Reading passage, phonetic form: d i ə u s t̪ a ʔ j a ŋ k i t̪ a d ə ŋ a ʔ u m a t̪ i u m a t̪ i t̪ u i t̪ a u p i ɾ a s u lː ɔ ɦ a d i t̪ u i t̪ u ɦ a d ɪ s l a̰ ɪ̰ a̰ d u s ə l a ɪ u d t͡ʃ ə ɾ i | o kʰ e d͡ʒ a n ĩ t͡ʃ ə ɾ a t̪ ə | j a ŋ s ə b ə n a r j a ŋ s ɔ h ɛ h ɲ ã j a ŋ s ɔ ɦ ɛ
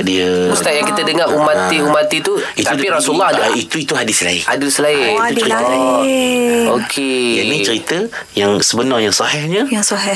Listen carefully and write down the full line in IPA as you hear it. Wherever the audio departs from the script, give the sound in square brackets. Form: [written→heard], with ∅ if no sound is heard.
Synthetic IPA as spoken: d i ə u s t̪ a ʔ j a ŋ k i t̪ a d ə ŋ a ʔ u m a t̪ i u m a t̪ i t̪ u i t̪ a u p i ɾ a s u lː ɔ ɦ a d i t̪ u i t̪ u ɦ a d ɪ s l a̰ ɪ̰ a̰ d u s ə l a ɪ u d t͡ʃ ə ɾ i | o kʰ e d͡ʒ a n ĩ t͡ʃ ə ɾ [a→i] t̪ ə | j a ŋ s ə b ə n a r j a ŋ s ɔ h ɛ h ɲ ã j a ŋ s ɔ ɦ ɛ